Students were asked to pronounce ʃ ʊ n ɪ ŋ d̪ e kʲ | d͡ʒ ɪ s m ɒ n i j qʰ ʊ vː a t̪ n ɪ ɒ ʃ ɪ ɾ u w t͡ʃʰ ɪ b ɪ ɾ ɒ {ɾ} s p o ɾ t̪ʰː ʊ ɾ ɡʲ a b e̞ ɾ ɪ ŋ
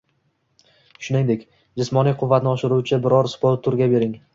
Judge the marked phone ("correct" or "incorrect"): correct